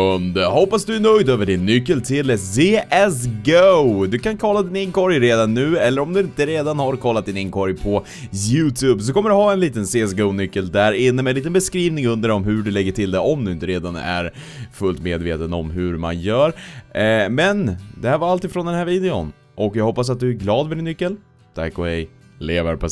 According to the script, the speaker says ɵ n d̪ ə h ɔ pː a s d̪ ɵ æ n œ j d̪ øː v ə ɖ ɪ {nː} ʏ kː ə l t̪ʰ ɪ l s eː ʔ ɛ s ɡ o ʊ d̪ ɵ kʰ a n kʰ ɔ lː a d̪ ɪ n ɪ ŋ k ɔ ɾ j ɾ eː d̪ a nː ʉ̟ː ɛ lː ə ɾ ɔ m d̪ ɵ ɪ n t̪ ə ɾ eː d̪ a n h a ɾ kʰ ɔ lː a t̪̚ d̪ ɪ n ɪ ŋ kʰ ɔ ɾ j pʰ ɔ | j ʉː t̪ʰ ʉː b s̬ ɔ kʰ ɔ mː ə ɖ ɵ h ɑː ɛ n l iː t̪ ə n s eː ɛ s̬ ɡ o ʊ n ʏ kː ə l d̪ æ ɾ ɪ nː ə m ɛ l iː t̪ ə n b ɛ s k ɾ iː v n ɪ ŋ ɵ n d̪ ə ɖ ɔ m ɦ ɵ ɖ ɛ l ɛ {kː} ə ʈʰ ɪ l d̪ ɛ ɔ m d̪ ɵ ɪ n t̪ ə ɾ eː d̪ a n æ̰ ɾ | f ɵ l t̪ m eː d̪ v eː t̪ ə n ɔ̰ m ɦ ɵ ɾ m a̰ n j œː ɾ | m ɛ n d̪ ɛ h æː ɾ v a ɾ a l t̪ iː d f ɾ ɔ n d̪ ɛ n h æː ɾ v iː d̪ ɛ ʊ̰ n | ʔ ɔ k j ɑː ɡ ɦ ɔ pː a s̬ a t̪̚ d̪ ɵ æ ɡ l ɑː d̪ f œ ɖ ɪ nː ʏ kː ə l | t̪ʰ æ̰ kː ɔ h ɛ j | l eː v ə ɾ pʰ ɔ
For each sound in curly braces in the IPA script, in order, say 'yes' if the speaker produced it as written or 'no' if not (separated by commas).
yes, no